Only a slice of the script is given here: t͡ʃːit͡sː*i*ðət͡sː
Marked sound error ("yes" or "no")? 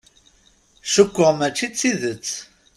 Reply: no